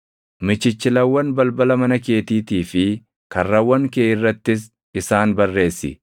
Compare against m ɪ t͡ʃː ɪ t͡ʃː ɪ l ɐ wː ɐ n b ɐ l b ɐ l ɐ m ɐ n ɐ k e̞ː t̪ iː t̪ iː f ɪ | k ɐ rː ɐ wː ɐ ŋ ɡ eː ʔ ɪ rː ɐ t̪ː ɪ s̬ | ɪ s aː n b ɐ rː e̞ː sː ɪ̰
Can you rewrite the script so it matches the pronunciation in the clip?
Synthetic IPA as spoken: m ɪ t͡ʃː ɪ t͡ʃː ɪ l ɐ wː ɐ n b ɐ l b ɐ l ɐ m ɐ n ɐ k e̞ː t̪ iː t̪ iː f ɪ | k ɐ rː ɐ wː ɐ ŋ k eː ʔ ɪ rː ɐ t̪ː ɪ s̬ | ɪ s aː n b ɐ rː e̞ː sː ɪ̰